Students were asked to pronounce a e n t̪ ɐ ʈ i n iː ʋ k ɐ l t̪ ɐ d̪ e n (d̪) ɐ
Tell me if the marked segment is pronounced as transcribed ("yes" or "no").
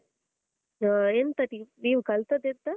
no